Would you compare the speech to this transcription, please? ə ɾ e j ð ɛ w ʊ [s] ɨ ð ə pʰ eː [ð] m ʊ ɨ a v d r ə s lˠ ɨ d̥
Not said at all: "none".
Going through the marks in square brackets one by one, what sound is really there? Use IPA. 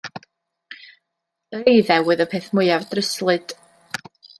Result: none, θ

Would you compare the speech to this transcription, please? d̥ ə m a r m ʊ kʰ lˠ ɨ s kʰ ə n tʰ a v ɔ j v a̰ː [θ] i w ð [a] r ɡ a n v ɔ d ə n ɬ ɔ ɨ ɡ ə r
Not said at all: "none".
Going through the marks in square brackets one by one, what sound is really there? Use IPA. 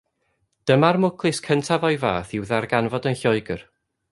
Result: θ, a

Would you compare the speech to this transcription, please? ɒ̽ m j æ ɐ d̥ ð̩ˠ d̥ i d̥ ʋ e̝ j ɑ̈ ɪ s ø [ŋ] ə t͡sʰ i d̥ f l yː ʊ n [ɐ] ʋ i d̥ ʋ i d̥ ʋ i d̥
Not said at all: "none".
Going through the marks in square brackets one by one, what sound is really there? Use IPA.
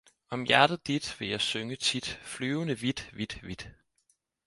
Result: ŋ, ə

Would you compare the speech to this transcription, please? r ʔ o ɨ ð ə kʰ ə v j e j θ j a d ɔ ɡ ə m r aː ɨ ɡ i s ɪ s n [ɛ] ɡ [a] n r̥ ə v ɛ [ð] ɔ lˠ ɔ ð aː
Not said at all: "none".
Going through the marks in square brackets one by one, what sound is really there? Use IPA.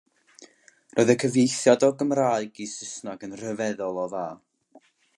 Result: a, ə, ð

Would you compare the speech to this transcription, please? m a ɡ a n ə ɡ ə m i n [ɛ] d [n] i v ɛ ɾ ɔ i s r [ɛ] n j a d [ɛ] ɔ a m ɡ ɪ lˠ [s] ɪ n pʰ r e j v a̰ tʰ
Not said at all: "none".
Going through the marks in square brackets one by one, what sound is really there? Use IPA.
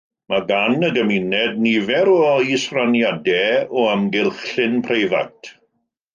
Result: ɛ, n, a, ɛ, χ

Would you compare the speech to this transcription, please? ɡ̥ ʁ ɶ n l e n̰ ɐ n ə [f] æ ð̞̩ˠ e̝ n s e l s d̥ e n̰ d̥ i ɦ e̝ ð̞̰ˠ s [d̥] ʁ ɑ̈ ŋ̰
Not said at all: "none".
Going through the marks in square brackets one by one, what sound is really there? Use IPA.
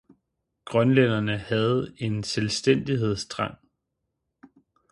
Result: h, d̥

